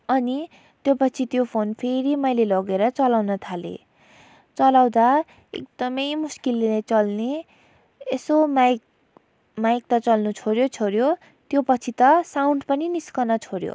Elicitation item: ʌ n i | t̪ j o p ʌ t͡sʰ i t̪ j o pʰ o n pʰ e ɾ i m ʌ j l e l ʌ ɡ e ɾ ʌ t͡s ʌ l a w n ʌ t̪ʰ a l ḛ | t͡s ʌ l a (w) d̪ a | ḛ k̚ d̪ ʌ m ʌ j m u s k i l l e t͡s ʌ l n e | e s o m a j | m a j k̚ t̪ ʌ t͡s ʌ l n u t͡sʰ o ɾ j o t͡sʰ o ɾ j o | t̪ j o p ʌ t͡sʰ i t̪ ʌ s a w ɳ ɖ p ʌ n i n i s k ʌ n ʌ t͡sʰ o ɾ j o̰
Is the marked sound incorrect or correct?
correct